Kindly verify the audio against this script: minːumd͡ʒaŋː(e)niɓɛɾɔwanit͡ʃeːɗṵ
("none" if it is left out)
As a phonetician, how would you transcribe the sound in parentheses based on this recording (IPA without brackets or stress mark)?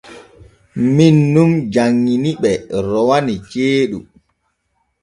i